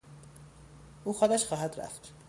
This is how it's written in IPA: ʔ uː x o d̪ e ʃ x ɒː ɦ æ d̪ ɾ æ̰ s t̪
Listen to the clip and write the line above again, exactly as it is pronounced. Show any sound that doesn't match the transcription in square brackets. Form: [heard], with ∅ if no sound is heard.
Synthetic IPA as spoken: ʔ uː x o d̪ [æ] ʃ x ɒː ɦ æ d̪ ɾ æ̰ [f] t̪